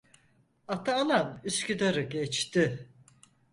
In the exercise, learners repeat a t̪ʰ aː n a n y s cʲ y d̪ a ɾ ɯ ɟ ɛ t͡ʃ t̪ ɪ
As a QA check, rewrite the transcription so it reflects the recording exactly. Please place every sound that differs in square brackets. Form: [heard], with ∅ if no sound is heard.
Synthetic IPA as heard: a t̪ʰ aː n a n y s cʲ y d̪ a ɾ ɯ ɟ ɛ t͡ʃ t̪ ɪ